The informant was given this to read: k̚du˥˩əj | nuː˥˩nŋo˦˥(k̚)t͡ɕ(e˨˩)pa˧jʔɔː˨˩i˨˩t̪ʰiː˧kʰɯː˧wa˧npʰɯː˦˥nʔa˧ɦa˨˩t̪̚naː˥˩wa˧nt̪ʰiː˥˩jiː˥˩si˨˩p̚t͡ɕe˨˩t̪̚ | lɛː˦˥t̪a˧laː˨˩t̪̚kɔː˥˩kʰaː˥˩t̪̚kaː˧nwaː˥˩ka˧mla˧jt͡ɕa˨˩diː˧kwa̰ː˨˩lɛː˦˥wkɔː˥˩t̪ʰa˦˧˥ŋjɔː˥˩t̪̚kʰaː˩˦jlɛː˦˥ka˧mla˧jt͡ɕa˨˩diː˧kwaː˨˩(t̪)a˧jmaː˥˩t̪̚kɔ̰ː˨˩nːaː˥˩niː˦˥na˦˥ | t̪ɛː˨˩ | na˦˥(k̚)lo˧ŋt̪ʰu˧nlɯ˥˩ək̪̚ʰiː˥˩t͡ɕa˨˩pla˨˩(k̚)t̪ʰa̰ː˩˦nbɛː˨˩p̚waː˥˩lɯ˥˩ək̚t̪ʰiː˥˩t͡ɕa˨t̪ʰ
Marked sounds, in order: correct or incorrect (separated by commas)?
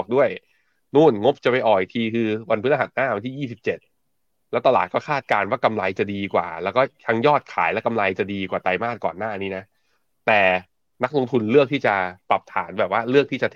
incorrect, incorrect, correct, correct, incorrect